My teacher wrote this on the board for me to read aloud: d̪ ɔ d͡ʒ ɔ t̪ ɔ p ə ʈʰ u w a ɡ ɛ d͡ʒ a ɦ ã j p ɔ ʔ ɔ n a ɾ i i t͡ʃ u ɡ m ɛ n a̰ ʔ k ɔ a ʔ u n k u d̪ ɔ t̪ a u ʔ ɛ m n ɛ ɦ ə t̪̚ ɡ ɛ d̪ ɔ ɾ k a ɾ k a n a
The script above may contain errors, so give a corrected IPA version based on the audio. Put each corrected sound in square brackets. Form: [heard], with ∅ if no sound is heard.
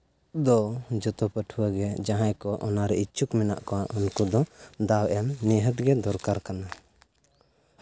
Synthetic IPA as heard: d̪ ɔ d͡ʒ ɔ t̪ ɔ p ə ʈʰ u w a ɡ ɛ d͡ʒ a ɦ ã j [k] ɔ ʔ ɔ n a ɾ [ɛ] i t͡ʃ u [k] m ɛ n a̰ ʔ k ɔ a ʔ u n k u d̪ ɔ [d̪] a [w] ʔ ɛ m n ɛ ɦ ə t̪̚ ɡ ɛ d̪ ɔ ɾ k a ɾ k a n a

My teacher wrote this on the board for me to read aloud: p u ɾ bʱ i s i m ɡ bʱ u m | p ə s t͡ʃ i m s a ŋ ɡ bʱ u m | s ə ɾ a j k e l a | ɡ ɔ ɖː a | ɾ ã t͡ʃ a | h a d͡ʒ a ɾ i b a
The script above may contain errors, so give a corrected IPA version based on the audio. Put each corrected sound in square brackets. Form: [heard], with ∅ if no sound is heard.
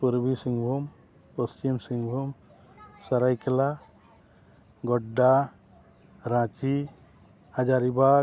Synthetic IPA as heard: p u ɾ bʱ i s i [ŋ] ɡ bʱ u m | p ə s t͡ʃ i m s [i] ŋ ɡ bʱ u m | s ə ɾ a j k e l a | ɡ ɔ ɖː a | ɾ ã t͡ʃ [i] | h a d͡ʒ a ɾ i b a

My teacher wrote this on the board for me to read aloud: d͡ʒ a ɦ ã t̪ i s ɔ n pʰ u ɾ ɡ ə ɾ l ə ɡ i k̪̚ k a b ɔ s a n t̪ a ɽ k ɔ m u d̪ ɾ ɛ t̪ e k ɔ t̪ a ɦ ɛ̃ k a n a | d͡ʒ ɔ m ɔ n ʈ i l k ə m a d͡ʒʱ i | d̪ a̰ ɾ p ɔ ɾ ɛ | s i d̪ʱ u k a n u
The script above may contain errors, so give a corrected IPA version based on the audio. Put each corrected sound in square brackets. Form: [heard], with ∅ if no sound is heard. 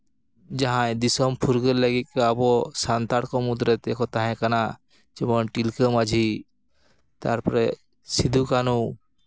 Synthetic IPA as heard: d͡ʒ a ɦ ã [d̪] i s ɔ [m] pʰ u ɾ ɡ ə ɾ l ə ɡ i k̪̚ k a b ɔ s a n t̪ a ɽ k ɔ m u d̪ ɾ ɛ t̪ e k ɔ t̪ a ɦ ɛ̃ k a n a | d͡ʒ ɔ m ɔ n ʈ i l k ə m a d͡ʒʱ i | [t̪] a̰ ɾ p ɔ ɾ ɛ | s i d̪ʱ u k a n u

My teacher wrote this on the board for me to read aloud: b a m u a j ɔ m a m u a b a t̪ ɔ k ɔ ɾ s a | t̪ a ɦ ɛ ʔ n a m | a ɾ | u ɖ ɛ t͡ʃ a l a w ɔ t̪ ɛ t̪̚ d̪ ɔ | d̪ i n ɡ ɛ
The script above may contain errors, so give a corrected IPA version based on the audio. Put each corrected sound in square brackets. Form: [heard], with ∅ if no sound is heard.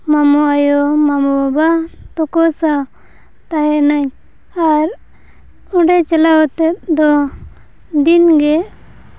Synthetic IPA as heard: [m] a m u a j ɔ m a m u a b a t̪ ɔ k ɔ [∅] s a | t̪ a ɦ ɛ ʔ n a [ɲ] | a ɾ | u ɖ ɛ t͡ʃ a l a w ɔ t̪ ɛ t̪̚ d̪ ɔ | d̪ i n ɡ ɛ

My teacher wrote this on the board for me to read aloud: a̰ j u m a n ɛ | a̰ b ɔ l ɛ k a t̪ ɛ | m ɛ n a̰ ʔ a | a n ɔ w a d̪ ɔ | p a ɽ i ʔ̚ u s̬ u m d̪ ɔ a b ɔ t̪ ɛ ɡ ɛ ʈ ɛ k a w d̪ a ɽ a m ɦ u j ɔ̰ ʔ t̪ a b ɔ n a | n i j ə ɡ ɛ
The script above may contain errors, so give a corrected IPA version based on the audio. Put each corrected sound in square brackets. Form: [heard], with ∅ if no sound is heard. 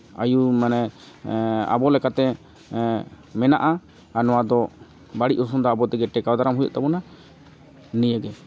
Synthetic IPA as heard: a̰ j u m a n ɛ | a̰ b ɔ l ɛ k a t̪ ɛ | m ɛ n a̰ ʔ a | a n ɔ w a d̪ ɔ | [b] a ɽ i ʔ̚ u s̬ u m d̪ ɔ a b ɔ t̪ ɛ ɡ ɛ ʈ ɛ k a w d̪ a [ɾ] a m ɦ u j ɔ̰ ʔ t̪ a b ɔ n a | n i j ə ɡ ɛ

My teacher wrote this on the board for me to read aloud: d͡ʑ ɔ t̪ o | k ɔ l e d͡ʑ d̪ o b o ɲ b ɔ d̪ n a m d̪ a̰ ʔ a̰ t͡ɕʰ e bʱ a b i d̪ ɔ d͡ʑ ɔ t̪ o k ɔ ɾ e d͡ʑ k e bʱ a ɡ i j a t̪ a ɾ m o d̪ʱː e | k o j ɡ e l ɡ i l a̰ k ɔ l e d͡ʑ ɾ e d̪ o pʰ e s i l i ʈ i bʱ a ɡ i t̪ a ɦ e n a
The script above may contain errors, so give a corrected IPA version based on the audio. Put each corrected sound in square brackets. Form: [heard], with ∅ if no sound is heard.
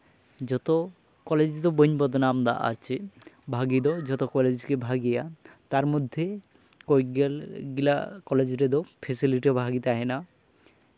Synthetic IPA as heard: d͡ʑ ɔ t̪ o | k ɔ l e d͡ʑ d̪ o b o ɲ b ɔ d̪ n a m d̪ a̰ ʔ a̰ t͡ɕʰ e bʱ a [ɡ] i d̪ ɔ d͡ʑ ɔ t̪ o k ɔ [l] e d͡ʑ k e bʱ a ɡ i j a t̪ a ɾ m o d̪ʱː e | k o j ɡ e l ɡ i l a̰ k ɔ l e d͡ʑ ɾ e d̪ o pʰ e s i l i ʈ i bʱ a ɡ i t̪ a ɦ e n a

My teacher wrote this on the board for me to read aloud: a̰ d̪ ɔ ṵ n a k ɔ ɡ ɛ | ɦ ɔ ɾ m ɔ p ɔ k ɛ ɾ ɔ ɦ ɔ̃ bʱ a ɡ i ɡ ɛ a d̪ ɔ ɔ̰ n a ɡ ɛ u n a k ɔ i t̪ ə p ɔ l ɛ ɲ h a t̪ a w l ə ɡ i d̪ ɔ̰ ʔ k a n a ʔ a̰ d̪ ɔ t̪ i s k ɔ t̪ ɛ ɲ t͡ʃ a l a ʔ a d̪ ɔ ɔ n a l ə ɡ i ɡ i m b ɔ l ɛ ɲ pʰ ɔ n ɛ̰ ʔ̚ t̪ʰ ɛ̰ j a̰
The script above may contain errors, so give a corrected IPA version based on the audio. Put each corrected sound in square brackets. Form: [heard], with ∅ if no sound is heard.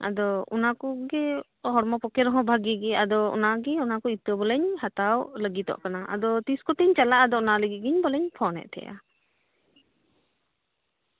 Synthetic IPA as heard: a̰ d̪ ɔ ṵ n a k ɔ ɡ ɛ | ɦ ɔ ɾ m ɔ p ɔ k ɛ ɾ ɔ ɦ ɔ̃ bʱ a ɡ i ɡ ɛ a d̪ ɔ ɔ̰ n a ɡ ɛ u n a k ɔ i t̪ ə [b] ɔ l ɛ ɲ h a t̪ a w l ə ɡ i [t̪] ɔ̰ ʔ k a n a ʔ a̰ d̪ ɔ t̪ i s k ɔ t̪ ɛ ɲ t͡ʃ a l a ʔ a d̪ ɔ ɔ n a l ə ɡ i ɡ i [ɲ] b ɔ l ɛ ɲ pʰ ɔ n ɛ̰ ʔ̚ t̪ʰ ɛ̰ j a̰

